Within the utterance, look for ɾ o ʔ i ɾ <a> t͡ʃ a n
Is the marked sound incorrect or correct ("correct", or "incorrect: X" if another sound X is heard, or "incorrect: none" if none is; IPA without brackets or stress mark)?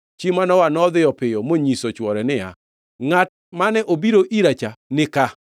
correct